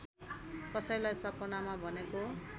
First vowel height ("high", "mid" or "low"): mid